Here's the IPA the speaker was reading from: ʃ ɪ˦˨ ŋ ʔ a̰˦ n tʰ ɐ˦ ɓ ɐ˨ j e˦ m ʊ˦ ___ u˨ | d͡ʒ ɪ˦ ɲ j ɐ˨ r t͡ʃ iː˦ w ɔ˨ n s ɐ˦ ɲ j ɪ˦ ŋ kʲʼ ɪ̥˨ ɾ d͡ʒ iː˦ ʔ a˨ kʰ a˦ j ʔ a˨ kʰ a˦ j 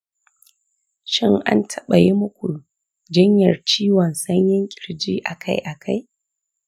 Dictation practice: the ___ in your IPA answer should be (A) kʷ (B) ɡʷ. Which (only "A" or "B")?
A